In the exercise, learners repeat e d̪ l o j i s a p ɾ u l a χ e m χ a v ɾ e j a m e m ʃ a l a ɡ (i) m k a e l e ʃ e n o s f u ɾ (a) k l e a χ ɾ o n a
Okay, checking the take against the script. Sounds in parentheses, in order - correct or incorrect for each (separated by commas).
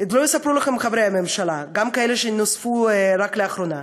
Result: incorrect, correct